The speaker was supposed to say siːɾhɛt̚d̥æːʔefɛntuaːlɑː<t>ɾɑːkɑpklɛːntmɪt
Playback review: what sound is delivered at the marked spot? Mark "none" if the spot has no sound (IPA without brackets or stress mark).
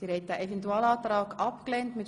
t